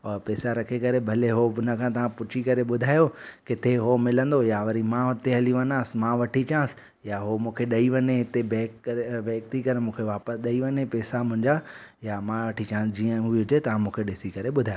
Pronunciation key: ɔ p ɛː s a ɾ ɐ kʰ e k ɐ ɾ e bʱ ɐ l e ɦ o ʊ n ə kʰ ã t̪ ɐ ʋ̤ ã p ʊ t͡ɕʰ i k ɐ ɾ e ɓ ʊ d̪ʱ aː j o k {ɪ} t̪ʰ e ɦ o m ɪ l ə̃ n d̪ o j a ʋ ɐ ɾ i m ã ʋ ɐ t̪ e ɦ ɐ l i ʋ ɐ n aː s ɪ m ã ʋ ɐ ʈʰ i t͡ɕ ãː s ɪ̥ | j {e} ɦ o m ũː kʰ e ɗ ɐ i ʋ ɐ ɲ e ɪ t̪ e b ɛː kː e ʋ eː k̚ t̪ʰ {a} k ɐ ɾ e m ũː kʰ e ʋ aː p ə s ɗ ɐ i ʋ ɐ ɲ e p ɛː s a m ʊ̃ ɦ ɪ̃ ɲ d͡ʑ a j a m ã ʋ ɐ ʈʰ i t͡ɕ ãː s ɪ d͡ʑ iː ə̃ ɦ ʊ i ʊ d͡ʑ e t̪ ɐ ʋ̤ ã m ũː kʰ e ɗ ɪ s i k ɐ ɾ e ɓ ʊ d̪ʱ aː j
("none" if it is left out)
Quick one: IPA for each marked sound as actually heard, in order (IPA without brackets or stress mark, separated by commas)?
ɪ, a, i